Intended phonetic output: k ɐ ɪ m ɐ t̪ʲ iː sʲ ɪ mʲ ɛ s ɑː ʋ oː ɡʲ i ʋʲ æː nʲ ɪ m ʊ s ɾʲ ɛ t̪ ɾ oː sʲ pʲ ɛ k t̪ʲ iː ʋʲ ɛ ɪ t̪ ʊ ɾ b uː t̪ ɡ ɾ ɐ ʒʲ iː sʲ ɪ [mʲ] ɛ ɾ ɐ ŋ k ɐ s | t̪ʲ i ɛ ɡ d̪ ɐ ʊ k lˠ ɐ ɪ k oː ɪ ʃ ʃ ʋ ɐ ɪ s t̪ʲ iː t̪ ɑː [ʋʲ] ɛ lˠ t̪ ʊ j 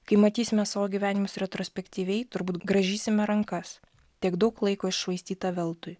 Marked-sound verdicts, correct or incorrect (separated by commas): correct, correct